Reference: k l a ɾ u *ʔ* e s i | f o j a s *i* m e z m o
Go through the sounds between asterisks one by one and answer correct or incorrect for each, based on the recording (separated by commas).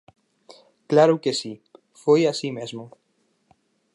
incorrect, correct